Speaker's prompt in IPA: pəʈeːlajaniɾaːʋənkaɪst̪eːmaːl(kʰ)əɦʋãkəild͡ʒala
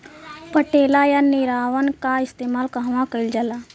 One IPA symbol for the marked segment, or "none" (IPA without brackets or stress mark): k